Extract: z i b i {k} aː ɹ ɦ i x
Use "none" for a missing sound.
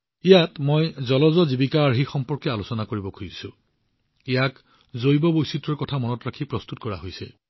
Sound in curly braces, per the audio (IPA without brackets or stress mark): k